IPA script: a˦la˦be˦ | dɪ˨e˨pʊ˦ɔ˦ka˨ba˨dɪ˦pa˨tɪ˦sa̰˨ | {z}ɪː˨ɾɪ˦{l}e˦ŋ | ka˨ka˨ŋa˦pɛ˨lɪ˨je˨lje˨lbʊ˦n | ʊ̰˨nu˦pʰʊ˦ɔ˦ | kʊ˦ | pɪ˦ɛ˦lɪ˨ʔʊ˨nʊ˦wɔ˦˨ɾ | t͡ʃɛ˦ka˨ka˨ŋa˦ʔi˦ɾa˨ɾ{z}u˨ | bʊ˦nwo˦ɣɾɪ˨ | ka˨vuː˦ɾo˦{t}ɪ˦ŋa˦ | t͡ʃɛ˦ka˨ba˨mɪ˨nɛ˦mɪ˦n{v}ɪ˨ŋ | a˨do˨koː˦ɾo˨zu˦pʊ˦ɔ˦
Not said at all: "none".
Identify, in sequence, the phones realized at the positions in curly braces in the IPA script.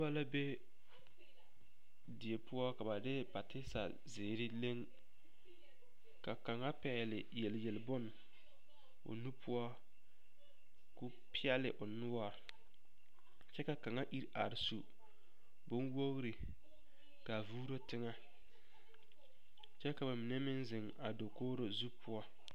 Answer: z, l, s, t, z

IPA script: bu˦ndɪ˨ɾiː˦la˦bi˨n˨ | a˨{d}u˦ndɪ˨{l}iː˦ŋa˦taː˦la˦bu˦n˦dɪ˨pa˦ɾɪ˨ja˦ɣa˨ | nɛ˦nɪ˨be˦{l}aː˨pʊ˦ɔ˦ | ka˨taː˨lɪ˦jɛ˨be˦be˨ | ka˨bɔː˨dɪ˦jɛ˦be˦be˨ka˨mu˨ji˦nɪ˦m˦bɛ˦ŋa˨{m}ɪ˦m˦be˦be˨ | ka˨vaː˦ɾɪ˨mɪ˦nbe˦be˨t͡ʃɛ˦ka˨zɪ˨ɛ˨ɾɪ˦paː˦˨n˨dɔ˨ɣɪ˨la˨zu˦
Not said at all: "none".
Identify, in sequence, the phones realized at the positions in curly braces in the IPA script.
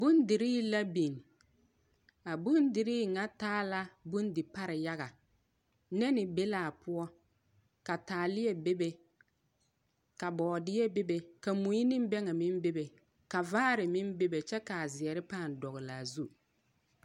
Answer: b, ɾ, l, m

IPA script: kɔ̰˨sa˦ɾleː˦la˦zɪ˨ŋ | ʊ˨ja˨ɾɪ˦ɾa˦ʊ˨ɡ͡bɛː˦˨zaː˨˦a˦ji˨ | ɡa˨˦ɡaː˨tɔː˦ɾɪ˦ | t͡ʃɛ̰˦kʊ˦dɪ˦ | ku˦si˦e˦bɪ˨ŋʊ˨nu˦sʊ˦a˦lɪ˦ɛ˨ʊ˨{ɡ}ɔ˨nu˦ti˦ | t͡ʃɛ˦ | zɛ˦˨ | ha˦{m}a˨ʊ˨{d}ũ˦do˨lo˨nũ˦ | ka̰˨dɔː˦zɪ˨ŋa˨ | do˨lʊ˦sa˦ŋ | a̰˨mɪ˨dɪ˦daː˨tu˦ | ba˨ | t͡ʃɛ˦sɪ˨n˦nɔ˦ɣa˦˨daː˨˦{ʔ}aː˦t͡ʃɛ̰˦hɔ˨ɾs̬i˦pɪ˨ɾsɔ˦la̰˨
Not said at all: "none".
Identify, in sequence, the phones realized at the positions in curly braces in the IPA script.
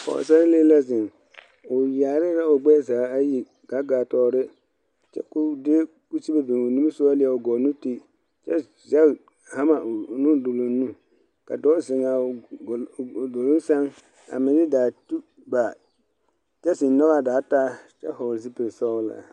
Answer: ɡ, m, n, t

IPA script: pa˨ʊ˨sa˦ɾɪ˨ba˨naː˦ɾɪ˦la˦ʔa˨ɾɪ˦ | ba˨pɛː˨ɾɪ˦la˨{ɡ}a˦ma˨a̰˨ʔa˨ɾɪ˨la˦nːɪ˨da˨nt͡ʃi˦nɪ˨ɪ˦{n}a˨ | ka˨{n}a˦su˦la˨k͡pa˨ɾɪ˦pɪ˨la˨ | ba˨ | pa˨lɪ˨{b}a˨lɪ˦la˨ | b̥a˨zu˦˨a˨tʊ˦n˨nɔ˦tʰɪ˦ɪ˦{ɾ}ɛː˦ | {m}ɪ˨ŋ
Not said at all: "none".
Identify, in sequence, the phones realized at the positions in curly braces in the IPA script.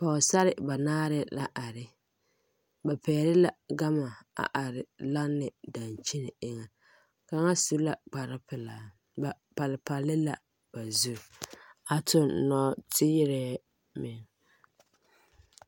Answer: ɡ, ŋ, ŋ, p, ɾ, m

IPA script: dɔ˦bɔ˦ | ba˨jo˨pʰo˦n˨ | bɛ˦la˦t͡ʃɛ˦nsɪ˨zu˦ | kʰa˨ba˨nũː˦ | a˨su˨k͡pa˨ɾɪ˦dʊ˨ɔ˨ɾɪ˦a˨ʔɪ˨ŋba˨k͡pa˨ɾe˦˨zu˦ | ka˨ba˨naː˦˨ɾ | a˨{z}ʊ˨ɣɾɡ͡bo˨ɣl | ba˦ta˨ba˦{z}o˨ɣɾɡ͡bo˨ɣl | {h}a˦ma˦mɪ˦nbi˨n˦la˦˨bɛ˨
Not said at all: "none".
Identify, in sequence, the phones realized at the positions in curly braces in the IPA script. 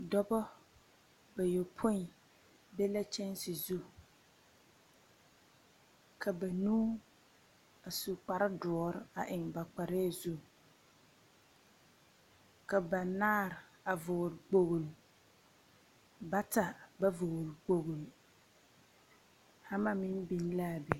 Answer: v, v, h

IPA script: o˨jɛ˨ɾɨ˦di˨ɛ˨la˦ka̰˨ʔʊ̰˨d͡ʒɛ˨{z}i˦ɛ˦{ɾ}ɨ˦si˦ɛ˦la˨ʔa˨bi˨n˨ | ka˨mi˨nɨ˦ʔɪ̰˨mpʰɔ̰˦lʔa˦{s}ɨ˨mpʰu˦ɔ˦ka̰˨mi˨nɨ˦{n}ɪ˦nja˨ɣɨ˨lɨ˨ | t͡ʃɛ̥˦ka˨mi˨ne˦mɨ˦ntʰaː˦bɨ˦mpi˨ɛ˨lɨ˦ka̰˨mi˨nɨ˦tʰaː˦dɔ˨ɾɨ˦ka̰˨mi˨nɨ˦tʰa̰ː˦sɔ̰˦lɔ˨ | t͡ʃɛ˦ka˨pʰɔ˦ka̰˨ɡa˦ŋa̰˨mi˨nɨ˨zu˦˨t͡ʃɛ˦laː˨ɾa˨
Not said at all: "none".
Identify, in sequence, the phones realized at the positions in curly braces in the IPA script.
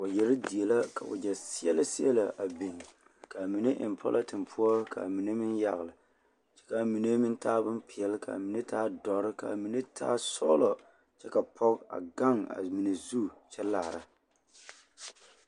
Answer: s, l, t, m

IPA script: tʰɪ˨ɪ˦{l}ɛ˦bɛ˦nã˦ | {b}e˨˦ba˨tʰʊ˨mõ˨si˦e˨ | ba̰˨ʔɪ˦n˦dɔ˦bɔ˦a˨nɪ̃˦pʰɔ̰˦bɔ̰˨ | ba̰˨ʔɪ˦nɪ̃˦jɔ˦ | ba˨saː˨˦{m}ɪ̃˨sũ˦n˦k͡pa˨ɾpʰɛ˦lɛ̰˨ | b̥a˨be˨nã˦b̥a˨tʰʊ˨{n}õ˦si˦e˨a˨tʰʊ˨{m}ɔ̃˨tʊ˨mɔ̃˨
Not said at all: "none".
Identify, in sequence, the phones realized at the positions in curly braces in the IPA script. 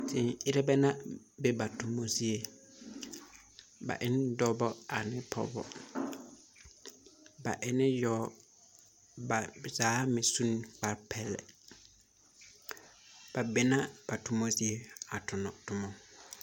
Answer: ɾ, b, m, m, n

